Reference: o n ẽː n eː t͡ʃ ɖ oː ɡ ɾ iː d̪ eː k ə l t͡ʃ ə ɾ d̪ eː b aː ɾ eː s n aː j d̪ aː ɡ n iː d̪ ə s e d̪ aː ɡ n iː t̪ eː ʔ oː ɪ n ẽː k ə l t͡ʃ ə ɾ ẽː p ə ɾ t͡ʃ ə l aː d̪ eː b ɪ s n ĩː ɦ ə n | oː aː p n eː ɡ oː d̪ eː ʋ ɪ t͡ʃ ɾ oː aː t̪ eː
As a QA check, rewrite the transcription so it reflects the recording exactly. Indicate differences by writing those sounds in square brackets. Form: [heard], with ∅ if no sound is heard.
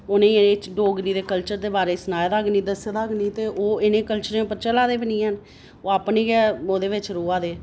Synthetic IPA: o n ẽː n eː t͡ʃ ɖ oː ɡ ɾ iː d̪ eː k ə l t͡ʃ ə ɾ d̪ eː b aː ɾ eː s n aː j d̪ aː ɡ n iː d̪ ə s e d̪ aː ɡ n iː t̪ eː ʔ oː ɪ n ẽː k ə l t͡ʃ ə ɾ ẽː p ə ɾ t͡ʃ ə l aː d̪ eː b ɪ [∅] n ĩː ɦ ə n | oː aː p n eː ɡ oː d̪ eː ʋ ɪ t͡ʃ ɾ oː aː [d̪] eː